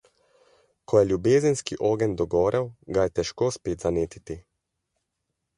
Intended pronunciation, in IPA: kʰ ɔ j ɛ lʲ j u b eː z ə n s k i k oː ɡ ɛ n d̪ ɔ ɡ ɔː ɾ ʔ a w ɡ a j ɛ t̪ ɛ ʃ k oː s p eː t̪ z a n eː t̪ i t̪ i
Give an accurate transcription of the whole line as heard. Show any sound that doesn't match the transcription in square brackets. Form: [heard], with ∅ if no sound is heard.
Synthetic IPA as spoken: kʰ ɔ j ɛ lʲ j u b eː z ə n s k i [ʔ] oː ɡ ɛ n d̪ ɔ ɡ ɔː ɾ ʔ [ɛ] w ɡ a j ɛ t̪ ɛ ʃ k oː s p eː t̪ z a n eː t̪ i t̪ i